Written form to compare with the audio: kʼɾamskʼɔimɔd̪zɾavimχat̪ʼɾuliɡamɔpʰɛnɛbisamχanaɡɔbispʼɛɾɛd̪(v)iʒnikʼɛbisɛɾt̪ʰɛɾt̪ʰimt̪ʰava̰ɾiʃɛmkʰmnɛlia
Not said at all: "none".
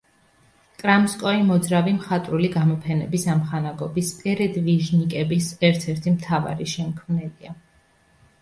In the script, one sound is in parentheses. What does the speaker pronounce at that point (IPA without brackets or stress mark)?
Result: v